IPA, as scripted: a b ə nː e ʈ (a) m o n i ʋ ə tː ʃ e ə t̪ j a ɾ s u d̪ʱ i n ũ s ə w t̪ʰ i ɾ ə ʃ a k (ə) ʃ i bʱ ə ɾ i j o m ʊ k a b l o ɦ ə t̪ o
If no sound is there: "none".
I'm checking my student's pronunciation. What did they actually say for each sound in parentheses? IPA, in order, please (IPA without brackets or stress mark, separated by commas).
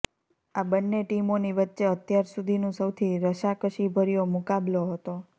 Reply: i, ə